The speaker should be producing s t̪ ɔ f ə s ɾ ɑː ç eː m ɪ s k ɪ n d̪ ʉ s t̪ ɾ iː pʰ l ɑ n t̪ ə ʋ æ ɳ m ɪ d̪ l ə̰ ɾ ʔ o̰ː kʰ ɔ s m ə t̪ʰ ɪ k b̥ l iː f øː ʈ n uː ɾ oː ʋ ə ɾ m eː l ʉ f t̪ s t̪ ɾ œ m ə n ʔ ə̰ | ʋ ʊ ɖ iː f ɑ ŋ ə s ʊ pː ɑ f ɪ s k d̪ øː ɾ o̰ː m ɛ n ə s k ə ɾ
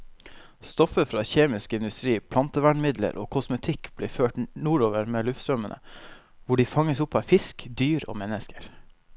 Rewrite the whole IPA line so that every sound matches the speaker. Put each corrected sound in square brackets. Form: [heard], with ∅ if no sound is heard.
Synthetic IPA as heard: s t̪ ɔ f ə [f] ɾ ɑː ç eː m ɪ s k ɪ n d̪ ʉ s t̪ ɾ iː pʰ l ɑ n t̪ ə ʋ æ ɳ m ɪ d̪ l ə̰ ɾ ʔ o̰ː kʰ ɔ s m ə t̪ʰ ɪ k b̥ l iː f øː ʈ n uː ɾ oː ʋ ə ɾ m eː l ʉ f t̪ s t̪ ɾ œ m ə n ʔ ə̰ | ʋ ʊ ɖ iː f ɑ ŋ ə s ʊ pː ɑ f ɪ s k d̪ [yː] ɾ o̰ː m ɛ n ə s k ə ɾ